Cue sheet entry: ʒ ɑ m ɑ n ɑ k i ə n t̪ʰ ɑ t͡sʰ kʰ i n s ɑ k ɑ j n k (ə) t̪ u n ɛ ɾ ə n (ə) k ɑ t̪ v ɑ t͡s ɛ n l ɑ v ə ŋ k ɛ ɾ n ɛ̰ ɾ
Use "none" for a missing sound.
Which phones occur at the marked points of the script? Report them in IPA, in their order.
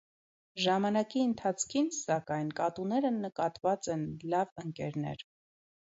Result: ɑ, ə

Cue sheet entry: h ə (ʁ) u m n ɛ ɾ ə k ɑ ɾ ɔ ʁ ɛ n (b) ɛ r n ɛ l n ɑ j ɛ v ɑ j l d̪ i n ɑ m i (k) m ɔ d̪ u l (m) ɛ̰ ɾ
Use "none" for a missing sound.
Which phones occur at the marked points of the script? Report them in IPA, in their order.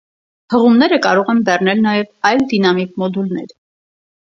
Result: ʁ, b, k, n

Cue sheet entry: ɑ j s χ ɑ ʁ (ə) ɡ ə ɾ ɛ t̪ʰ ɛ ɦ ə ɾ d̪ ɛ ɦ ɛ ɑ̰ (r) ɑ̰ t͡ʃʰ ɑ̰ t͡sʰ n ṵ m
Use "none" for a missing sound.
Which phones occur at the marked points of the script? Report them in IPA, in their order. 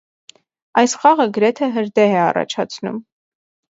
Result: ə, r

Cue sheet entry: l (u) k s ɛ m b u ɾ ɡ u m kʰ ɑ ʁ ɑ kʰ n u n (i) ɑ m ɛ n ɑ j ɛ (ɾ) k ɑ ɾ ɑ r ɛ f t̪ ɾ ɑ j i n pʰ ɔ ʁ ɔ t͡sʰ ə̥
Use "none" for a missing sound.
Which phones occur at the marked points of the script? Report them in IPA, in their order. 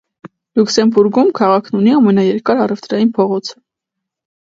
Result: u, i, ɾ

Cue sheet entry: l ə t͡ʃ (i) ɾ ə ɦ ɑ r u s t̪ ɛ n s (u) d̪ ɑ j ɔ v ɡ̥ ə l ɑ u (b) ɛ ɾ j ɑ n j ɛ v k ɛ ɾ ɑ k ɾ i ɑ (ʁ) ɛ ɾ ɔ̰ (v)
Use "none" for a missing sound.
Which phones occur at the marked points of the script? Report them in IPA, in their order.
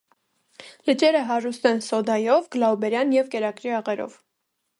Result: ɛ, ɔ, b, ʁ, v

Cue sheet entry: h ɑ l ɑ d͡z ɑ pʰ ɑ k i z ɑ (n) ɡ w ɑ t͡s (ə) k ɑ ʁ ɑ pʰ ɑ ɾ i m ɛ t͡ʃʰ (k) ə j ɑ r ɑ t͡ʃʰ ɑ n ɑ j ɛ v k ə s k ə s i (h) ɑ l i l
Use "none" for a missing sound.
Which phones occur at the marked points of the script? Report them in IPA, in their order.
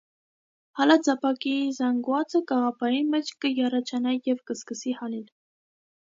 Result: ŋ, ə, k, h

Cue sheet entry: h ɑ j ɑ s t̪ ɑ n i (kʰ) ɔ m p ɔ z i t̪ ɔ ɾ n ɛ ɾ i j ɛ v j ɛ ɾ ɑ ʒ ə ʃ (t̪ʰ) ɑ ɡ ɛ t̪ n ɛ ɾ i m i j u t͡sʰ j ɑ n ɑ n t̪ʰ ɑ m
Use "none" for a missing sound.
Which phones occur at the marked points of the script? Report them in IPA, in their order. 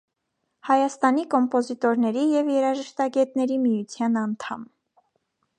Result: k, t̪

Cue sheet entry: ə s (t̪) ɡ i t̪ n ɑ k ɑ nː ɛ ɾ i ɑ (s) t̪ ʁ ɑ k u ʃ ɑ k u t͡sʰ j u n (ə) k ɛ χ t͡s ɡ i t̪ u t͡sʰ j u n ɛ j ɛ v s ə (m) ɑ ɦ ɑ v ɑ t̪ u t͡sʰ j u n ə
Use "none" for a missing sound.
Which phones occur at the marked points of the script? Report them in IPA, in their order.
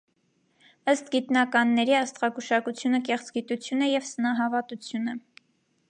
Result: t̪, s, ə, n

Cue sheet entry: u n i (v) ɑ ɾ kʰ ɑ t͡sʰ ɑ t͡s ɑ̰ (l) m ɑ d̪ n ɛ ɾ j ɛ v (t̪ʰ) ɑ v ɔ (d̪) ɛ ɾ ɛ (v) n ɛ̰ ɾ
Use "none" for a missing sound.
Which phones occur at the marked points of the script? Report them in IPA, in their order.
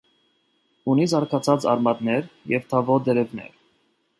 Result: z, ɾ, t̪ʰ, d̪, v

